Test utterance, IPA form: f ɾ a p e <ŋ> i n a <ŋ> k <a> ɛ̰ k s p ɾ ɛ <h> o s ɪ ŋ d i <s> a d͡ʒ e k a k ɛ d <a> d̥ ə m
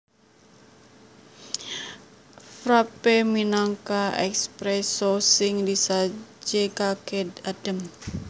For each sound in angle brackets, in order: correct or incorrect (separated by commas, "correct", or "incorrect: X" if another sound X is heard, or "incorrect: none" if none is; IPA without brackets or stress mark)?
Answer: incorrect: m, correct, correct, incorrect: s, correct, correct